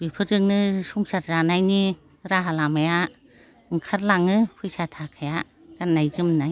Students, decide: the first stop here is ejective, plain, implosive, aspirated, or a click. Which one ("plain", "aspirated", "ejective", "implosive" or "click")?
plain